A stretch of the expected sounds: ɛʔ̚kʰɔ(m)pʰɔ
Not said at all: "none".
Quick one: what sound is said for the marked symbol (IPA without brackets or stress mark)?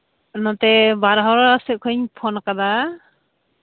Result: ɲ